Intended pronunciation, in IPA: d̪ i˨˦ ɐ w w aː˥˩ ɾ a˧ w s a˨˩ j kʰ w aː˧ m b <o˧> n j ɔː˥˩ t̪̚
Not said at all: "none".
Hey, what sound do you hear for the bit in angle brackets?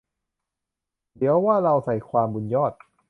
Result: u˧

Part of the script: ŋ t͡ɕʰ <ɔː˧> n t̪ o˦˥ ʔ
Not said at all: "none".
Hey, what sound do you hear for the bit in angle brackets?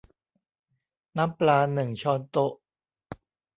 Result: ɔː˧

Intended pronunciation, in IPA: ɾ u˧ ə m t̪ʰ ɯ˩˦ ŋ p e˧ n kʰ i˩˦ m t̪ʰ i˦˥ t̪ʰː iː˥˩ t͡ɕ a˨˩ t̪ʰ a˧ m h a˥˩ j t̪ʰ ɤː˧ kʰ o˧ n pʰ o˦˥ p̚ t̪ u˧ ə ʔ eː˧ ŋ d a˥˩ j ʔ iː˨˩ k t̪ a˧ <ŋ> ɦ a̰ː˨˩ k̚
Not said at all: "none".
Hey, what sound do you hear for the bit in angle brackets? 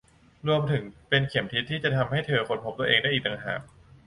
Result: ŋ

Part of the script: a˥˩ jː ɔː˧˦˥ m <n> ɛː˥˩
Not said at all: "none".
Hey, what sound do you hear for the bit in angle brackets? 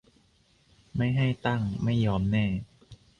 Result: n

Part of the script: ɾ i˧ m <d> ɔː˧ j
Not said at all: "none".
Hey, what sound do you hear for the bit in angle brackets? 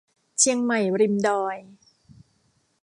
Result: d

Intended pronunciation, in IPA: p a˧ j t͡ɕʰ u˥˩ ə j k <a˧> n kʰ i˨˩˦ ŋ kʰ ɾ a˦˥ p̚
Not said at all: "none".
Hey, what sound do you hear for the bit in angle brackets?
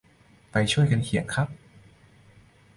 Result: a˧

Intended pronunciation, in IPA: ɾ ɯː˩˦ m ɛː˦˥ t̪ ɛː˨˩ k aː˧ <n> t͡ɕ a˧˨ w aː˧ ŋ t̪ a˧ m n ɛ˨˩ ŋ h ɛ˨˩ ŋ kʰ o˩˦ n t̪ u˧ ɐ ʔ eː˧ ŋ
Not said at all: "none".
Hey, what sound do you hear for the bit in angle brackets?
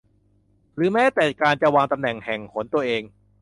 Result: n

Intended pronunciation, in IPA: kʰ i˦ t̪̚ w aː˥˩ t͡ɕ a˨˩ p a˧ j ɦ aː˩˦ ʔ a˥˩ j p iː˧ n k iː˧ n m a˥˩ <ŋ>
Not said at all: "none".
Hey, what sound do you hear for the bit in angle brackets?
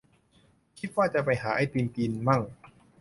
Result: ŋ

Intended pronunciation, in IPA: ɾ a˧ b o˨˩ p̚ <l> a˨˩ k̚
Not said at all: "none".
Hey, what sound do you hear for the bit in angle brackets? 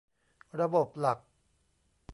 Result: l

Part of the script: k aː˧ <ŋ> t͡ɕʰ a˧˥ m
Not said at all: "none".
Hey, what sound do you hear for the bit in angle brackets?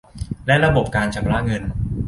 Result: n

